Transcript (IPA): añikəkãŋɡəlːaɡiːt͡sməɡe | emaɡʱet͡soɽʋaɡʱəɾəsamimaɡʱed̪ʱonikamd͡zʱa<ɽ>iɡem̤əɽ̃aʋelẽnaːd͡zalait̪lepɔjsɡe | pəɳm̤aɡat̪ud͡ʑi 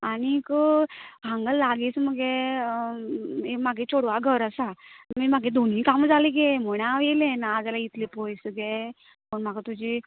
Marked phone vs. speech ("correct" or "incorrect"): incorrect